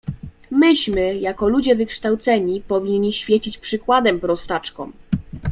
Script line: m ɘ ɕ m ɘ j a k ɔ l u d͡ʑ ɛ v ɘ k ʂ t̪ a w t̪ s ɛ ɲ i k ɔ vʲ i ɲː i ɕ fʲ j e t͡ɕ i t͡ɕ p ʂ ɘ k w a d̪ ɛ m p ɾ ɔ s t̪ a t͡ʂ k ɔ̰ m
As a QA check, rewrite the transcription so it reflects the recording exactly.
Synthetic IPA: m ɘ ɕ m ɘ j a k ɔ l u d͡ʑ ɛ v ɘ k ʂ t̪ a w t̪ s ɛ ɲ i p ɔ vʲ i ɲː i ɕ fʲ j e t͡ɕ i t͡ɕ p ʂ ɘ k w a d̪ ɛ m p ɾ ɔ s t̪ a t͡ʂ k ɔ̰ m